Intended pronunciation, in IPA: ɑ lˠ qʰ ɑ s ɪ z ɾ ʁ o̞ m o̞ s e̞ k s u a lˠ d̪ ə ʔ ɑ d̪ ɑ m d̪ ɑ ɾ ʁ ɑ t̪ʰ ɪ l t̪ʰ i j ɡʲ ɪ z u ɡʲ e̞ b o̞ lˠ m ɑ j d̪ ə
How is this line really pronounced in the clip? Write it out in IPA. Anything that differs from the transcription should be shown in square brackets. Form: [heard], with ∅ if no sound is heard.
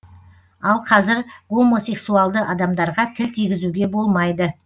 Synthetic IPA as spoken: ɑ lˠ qʰ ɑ [z] ɪ [∅] ɾ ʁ o̞ m o̞ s e̞ k s u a lˠ d̪ ə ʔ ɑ d̪ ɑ m d̪ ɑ ɾ ʁ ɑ t̪ʰ ɪ l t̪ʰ i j ɡʲ ɪ z u ɡʲ e̞ b o̞ lˠ m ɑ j d̪ ə